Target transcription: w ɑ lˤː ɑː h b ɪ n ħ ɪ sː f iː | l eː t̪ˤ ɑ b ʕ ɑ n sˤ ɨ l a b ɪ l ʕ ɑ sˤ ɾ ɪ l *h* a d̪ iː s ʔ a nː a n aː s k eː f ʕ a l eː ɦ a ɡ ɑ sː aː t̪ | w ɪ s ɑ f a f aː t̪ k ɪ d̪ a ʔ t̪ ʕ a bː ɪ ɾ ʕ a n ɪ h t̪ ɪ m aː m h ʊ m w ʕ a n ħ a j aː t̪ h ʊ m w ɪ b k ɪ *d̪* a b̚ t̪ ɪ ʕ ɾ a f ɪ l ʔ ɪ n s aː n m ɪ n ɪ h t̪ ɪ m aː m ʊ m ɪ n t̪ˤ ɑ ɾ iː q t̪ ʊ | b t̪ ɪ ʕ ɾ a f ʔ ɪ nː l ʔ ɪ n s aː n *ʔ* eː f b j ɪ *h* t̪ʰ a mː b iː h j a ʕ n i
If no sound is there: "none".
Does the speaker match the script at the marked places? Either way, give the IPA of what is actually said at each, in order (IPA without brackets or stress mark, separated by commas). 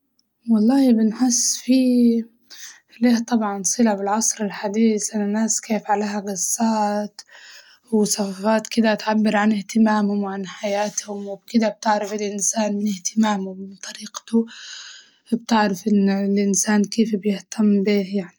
ħ, d̪, k, h